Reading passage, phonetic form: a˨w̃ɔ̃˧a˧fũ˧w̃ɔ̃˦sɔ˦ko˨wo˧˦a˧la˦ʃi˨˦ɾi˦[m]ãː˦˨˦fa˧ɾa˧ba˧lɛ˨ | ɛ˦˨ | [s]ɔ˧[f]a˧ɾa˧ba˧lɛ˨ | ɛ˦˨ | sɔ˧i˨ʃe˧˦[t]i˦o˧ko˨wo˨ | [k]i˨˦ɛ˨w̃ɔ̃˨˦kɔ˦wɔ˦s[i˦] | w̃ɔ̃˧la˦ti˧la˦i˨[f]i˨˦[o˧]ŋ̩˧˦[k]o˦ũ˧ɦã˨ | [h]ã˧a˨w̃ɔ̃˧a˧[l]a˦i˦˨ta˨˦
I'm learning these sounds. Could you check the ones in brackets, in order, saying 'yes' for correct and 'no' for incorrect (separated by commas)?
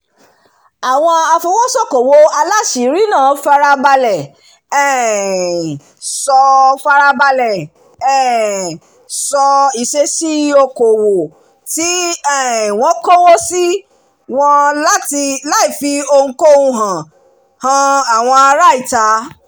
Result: no, yes, yes, no, no, yes, yes, yes, yes, yes, no